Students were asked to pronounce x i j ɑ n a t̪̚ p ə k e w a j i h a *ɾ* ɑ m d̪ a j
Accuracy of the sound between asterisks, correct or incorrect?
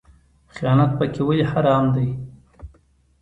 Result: correct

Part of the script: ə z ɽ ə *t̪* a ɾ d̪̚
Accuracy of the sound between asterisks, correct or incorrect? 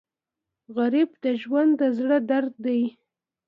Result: incorrect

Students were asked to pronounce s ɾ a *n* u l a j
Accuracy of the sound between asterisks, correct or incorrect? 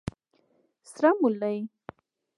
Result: incorrect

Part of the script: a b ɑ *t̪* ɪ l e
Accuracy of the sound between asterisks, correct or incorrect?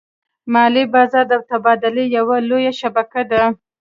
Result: incorrect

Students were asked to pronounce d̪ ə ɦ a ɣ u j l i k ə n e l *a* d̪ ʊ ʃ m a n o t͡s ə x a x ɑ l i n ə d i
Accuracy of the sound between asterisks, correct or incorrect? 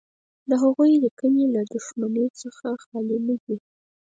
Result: correct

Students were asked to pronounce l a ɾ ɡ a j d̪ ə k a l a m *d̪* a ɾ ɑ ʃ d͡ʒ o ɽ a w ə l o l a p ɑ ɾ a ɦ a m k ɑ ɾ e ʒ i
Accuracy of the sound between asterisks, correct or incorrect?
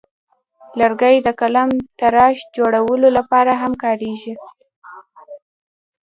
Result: incorrect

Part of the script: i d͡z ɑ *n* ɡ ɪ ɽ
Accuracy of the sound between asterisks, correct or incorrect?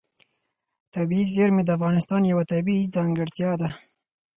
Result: incorrect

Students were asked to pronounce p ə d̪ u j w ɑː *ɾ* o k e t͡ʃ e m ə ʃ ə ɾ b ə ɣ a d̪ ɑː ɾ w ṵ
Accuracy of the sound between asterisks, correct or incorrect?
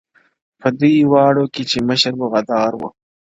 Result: incorrect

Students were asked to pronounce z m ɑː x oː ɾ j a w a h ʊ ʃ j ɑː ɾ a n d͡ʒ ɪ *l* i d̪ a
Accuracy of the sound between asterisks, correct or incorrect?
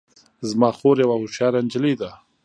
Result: correct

